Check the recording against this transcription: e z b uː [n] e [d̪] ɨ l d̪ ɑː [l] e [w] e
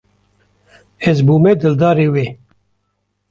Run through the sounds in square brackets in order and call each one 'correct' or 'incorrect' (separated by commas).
incorrect, correct, incorrect, correct